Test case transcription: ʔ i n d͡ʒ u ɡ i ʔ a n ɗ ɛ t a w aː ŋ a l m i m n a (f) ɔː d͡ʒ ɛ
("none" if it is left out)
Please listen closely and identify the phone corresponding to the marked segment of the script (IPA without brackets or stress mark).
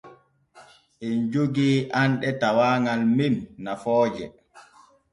f